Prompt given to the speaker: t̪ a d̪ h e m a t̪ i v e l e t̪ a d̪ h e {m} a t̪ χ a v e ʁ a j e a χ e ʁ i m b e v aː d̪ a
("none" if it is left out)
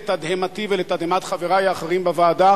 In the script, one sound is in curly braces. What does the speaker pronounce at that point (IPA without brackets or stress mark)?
m